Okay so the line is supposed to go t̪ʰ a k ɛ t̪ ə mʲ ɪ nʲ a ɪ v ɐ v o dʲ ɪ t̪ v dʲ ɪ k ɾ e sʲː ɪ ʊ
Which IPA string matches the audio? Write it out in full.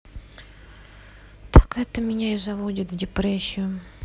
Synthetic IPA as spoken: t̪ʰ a k ɛ t̪ ə mʲ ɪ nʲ a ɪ z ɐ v o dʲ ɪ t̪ v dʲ ɪ p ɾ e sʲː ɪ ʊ